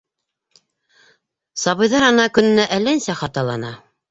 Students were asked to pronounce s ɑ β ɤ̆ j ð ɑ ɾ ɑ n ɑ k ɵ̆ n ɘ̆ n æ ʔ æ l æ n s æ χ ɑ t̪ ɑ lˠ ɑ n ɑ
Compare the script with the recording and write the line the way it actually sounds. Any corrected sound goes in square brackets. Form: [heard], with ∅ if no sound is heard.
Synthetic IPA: s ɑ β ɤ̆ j ð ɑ ɾ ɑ n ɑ k ɵ̆ n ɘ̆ n æ ʔ æ l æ n s æ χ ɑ t̪ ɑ lˠ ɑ n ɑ